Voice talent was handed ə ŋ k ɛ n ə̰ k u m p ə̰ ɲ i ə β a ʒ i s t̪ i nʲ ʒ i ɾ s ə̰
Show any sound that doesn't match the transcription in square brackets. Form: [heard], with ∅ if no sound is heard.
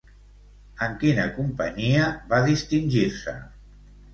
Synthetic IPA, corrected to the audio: ə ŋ k [i] n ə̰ k u m p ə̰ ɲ i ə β a [ð] i s t̪ i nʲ ʒ i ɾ s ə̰